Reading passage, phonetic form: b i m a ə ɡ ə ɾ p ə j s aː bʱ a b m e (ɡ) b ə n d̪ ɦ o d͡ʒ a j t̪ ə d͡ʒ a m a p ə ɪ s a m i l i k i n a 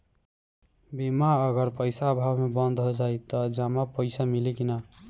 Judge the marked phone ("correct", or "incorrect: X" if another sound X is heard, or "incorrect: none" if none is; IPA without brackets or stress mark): incorrect: none